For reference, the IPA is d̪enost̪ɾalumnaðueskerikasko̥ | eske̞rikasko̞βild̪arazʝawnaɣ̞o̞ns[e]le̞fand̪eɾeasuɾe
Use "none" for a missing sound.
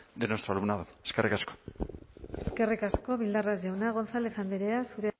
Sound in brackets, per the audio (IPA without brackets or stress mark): a